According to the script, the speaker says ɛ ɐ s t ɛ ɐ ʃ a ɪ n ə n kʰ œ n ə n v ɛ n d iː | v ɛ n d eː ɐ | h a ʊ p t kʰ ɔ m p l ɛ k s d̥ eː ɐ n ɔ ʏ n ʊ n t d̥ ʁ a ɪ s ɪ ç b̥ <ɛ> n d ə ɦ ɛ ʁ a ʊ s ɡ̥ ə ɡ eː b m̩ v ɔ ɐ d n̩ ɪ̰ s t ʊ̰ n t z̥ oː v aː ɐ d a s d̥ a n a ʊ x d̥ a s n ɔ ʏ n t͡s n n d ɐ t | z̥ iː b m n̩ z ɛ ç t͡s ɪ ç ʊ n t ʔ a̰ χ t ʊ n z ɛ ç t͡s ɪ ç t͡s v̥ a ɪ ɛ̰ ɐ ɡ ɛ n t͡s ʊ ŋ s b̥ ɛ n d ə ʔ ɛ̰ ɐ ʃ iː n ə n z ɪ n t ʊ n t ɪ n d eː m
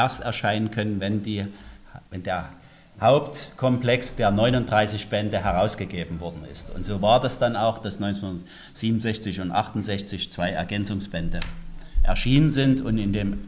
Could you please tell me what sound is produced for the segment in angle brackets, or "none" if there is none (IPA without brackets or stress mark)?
ɛ